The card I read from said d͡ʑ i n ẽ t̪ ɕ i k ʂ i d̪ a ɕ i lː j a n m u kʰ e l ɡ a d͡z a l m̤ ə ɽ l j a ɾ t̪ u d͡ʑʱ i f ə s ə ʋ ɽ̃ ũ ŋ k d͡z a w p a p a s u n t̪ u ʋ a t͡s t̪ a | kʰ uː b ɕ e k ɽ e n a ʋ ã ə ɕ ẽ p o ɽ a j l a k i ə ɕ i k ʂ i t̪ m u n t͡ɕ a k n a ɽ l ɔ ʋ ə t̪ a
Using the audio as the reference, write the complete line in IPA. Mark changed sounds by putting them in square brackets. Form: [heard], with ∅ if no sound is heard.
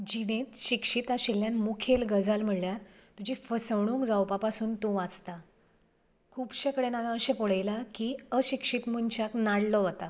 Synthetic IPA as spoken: d͡ʑ i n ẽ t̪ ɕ i k ʂ i [t̪] a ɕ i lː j a n m u kʰ e l ɡ [ə] d͡z a l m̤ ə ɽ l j a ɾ t̪ u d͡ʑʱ i f ə s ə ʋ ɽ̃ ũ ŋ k d͡z a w p a p a s [uː] n t̪ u ʋ a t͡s t̪ a | kʰ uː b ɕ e k ɽ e n a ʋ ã ə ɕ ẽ p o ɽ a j l a k i ə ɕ i k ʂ i t̪ m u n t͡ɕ a k n a ɽ l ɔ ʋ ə t̪ a